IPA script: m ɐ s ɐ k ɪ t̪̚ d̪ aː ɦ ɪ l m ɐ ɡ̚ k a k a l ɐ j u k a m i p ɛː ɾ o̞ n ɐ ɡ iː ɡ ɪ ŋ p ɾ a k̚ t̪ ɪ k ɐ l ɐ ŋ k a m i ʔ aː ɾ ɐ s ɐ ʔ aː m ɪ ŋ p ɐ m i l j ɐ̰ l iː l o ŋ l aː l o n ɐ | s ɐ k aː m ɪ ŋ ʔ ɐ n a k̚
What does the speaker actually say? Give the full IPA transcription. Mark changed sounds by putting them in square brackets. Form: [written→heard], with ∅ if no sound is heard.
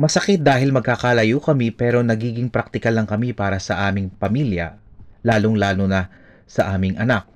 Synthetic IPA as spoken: m ɐ s ɐ k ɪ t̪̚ d̪ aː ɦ ɪ l m ɐ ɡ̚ k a k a l ɐ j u k [a→ɐ] m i p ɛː ɾ o̞ n ɐ ɡ iː ɡ ɪ ŋ p ɾ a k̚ t̪ ɪ k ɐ l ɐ ŋ k [a→ɐ] m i [ʔ→p] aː ɾ ɐ s ɐ ʔ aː m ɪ ŋ p ɐ m i l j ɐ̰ l [iː→aː] l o ŋ l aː l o n ɐ | s ɐ [k→ʔ] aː m ɪ ŋ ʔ ɐ n a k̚